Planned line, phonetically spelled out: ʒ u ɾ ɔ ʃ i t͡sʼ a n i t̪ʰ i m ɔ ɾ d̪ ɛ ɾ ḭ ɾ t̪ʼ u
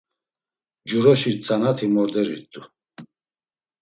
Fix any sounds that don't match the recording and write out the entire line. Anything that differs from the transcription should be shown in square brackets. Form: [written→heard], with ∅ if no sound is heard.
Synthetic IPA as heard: [ʒ→d͡ʒ] u ɾ ɔ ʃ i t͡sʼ a n [i→a] t̪ʰ i m ɔ ɾ d̪ ɛ ɾ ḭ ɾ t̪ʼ u